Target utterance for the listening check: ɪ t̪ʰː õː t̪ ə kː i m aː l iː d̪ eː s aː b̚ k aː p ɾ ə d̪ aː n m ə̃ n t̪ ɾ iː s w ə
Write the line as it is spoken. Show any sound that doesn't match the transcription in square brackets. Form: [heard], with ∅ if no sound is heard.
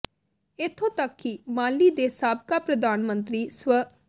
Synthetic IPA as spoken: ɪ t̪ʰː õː t̪ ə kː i m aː l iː d̪ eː s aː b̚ k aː p ɾ ə d̪ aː n m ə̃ n t̪ ɾ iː s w ə